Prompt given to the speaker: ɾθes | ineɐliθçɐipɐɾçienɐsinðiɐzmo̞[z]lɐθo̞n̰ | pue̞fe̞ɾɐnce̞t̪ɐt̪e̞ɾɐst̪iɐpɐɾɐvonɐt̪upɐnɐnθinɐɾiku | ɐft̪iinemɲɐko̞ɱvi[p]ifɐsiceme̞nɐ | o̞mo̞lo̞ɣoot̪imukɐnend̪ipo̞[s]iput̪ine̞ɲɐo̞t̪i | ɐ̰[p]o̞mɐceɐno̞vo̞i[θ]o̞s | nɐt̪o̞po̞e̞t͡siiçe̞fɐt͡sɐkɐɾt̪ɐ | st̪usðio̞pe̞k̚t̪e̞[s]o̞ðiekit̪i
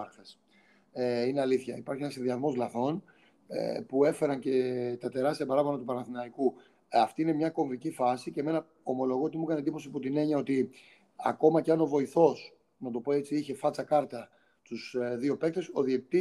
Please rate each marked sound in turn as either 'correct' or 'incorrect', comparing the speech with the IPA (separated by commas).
correct, incorrect, correct, incorrect, correct, correct